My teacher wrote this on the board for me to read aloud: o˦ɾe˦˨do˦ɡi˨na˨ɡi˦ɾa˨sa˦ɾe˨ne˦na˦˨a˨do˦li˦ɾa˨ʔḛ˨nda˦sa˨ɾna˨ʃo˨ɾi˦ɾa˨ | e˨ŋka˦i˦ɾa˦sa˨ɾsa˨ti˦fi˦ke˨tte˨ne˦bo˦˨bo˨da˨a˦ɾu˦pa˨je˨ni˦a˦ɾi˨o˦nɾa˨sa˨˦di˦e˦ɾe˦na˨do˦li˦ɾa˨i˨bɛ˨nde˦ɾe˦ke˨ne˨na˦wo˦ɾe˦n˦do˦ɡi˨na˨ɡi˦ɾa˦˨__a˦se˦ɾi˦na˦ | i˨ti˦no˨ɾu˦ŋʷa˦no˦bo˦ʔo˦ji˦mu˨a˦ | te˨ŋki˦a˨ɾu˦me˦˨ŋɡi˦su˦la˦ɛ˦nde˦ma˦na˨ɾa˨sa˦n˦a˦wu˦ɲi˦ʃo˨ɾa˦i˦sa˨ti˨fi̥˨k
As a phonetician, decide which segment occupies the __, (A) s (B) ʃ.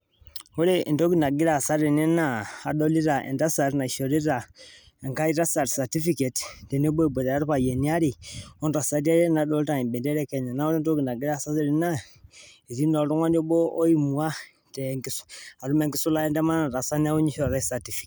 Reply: A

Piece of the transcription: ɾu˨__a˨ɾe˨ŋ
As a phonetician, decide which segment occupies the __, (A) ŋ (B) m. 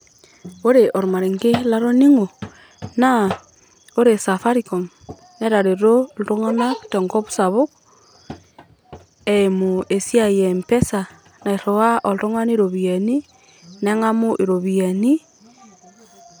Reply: B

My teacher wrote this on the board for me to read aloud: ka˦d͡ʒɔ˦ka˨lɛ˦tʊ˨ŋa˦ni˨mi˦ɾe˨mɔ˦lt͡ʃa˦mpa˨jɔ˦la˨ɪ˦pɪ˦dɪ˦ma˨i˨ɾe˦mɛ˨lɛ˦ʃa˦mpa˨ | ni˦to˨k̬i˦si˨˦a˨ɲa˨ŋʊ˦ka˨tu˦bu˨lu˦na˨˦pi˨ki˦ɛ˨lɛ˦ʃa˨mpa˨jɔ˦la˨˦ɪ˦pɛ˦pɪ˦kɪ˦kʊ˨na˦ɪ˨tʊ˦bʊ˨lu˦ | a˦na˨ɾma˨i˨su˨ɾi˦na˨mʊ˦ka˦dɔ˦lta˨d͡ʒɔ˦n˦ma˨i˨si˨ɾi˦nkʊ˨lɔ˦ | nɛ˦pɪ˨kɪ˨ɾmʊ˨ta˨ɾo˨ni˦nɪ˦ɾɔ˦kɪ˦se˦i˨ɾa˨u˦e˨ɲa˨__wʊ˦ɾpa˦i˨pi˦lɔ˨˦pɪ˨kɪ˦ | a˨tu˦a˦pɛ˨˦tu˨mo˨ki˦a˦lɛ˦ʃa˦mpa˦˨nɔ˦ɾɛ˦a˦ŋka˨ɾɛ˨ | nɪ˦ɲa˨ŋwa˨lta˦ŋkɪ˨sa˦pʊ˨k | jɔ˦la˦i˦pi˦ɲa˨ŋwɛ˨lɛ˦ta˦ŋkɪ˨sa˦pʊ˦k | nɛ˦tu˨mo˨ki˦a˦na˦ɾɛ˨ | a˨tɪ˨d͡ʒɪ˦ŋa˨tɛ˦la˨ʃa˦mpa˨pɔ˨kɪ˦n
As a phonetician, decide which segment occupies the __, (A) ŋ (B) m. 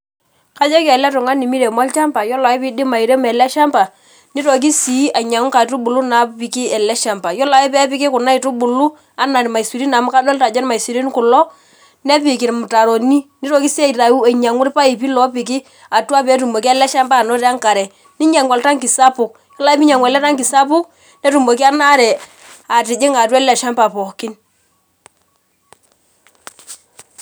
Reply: A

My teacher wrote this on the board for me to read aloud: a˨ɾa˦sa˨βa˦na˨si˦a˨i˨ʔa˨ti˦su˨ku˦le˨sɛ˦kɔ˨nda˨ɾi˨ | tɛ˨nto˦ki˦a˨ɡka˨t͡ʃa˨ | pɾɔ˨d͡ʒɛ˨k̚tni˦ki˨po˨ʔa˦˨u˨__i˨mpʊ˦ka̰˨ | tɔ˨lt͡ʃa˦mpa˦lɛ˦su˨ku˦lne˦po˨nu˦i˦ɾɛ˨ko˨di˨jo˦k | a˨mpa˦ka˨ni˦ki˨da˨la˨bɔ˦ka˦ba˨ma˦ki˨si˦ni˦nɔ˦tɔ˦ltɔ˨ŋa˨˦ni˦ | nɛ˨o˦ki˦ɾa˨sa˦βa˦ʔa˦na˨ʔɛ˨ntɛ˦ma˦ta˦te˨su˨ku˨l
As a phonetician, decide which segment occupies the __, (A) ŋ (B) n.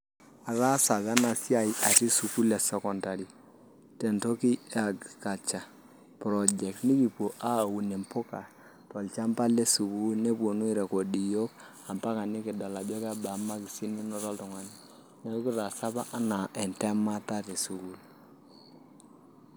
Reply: B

